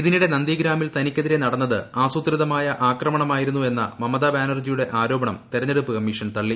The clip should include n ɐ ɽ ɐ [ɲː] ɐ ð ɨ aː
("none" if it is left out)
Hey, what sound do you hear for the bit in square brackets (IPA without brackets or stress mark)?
nː